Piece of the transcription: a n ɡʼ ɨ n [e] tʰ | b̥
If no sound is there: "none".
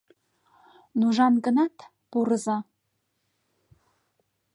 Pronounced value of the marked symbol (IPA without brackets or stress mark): a